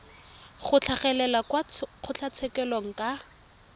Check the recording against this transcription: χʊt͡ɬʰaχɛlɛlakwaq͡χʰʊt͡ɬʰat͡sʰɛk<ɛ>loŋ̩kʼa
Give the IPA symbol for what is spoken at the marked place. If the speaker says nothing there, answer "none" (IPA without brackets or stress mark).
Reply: ɛ